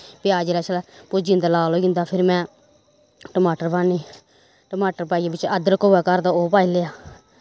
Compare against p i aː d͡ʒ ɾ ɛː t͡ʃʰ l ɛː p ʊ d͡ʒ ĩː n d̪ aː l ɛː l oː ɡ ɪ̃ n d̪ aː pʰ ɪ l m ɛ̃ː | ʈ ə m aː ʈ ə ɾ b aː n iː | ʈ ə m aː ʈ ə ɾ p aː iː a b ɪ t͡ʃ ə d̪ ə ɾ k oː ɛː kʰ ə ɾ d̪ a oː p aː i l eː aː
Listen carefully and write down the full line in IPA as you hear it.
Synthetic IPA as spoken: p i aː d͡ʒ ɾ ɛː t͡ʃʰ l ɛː p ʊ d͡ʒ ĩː n d̪ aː l aː l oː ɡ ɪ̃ n d̪ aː pʰ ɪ ɾ m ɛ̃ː | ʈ ə m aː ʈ ə ɾ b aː n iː | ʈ ə m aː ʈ ə ɾ p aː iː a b ɪ t͡ʃ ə d̪ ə ɾ k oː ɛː k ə ɾ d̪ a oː p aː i l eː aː